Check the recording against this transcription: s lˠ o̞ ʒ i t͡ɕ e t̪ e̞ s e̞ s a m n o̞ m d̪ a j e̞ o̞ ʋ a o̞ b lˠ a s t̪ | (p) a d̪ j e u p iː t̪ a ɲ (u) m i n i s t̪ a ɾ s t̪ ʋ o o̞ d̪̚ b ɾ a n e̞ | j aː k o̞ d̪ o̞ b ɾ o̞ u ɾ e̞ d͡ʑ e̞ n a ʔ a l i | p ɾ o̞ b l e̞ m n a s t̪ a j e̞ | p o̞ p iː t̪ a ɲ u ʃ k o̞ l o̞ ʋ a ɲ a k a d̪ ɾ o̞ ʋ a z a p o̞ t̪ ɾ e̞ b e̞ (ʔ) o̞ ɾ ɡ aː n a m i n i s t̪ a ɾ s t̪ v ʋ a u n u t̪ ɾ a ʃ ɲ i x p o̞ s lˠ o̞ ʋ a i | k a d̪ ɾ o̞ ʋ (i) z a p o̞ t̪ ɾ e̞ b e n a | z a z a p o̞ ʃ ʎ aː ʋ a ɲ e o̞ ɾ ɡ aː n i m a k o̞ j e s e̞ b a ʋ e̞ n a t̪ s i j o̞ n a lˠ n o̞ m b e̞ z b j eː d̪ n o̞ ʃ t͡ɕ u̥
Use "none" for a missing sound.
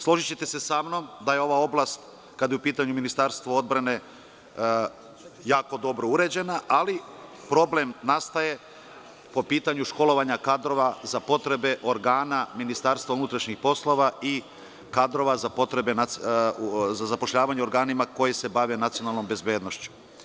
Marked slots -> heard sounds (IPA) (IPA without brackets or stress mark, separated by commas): k, u, ʔ, a